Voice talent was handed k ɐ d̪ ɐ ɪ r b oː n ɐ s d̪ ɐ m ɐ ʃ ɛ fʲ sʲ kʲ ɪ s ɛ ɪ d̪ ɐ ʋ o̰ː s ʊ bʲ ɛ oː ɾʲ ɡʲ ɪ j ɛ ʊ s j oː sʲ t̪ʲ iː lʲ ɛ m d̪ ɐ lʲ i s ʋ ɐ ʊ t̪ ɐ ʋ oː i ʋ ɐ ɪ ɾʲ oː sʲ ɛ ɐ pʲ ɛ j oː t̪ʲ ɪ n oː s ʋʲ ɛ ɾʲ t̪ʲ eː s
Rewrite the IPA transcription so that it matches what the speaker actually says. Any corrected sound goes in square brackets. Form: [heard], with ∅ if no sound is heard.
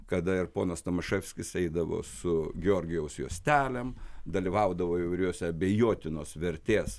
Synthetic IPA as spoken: k ɐ d̪ ɐ ɪ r [p] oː n ɐ s [t̪] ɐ m ɐ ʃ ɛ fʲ sʲ kʲ ɪ s ɛ ɪ d̪ ɐ ʋ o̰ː s ʊ [ɡʲ] ɛ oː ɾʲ ɡʲ ɪ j ɛ ʊ s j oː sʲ t̪ʲ [æː] lʲ ɛ m d̪ ɐ lʲ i [∅] ʋ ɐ ʊ [d̪] ɐ ʋ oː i ʋ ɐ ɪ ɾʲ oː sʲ ɛ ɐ [bʲ] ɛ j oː t̪ʲ ɪ n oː s ʋʲ ɛ ɾʲ t̪ʲ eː s